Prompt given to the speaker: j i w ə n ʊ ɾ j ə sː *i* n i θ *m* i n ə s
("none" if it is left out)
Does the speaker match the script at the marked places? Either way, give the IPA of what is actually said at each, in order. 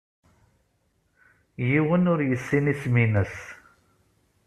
i, m

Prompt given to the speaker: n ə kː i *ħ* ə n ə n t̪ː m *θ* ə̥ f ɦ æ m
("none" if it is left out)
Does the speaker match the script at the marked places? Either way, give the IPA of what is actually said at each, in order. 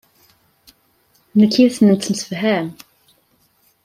θ, s

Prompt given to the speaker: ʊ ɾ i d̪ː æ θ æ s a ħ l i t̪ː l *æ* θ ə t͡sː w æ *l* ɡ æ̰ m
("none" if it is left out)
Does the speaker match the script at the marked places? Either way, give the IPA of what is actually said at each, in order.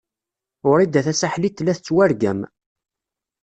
æ, ɾ

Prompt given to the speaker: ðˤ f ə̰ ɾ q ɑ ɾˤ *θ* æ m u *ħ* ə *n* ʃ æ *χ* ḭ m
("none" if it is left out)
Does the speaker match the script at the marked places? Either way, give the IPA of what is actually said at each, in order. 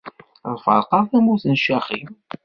θ, θ, n, χ

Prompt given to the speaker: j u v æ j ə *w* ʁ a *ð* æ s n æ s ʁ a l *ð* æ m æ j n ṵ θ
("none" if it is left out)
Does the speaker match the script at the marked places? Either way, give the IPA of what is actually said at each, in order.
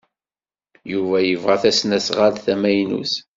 v, θ, θ

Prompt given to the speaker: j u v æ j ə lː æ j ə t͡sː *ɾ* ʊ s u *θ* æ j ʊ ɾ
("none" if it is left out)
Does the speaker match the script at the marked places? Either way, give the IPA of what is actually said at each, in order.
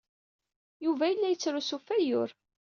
ɾ, f

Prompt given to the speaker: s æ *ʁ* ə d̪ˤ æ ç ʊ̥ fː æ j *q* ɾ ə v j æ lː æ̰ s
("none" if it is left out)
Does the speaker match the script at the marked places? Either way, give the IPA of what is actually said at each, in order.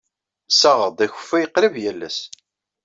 ʁ, q

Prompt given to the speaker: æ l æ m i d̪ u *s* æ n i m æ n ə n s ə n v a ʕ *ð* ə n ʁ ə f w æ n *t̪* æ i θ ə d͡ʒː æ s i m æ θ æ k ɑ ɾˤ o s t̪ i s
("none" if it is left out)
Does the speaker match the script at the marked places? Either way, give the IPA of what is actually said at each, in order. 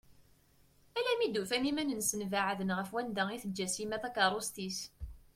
f, ð, d̪

